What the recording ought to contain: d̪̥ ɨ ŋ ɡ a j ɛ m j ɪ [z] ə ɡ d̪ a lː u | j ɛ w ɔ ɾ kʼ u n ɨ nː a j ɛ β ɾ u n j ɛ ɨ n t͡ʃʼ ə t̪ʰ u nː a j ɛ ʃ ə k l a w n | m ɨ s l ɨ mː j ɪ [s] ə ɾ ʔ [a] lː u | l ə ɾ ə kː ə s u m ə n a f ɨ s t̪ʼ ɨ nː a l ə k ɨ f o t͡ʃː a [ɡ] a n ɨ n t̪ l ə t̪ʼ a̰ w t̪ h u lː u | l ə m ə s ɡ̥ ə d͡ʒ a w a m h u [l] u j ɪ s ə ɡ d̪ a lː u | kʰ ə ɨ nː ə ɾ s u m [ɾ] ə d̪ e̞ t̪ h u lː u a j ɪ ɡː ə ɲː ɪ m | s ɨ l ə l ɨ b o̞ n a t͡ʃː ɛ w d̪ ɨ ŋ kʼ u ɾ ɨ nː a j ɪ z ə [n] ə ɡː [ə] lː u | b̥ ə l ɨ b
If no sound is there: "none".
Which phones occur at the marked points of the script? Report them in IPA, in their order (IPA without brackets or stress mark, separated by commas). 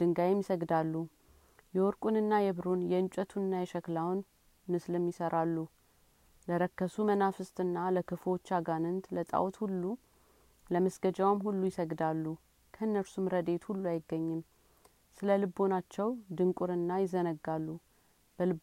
s, s, a, ɡ, lː, ɾ, n, a